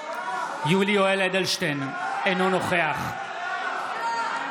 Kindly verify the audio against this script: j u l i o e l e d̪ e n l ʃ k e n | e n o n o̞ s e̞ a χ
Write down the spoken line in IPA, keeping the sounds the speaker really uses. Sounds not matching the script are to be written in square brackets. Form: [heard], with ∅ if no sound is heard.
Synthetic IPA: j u l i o e l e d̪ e [∅] l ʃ [t] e n | e n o n o̞ [χ] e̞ a χ